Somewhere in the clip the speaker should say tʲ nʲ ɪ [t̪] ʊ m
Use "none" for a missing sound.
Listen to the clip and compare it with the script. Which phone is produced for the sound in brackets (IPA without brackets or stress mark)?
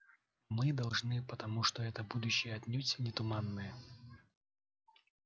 t̪